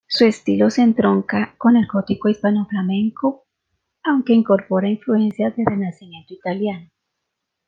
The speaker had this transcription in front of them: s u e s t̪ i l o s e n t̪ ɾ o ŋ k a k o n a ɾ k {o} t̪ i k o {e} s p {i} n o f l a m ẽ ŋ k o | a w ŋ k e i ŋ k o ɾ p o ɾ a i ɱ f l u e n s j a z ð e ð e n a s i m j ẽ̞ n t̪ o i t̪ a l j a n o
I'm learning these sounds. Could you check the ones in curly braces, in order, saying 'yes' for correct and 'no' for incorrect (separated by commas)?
yes, no, no